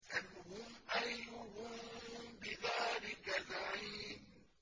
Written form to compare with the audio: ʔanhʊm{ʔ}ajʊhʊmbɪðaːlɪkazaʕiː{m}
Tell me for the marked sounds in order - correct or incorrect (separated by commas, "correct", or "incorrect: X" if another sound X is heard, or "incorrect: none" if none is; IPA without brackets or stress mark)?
correct, incorrect: n